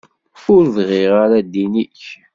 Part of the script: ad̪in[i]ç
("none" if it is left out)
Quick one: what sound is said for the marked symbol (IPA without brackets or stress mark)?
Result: i